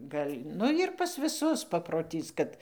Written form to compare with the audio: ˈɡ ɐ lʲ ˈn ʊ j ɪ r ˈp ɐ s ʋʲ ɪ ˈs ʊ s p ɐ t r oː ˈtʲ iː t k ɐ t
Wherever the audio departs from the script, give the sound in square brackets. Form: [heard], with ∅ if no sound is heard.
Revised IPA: ˈɡ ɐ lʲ ˈn ʊ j ɪ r ˈp ɐ s ʋʲ ɪ ˈs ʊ s p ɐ [p] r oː ˈtʲ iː [s] k ɐ t